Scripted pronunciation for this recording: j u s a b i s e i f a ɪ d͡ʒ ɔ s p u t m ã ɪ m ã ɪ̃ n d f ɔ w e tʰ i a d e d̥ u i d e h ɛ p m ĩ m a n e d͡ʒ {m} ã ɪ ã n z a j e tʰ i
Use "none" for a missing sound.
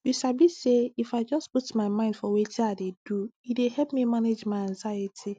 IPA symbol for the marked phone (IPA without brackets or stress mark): m